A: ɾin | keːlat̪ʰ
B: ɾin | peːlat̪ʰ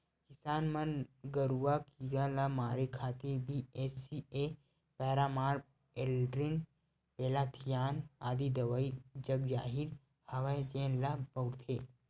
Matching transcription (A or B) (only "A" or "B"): B